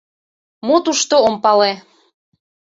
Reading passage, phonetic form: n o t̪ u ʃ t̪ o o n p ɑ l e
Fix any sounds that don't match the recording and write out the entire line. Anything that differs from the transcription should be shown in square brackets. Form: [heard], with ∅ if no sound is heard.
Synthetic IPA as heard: [m] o t̪ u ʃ t̪ o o [m] p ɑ l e